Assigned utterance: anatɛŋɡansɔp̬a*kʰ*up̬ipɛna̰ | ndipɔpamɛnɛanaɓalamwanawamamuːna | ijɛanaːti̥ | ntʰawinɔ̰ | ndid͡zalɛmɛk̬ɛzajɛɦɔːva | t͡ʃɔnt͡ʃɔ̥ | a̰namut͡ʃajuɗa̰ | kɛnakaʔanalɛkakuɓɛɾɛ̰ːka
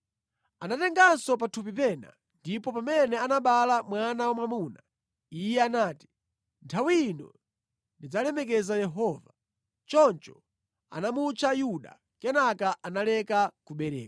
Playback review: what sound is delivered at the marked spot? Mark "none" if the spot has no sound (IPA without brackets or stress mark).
tʰ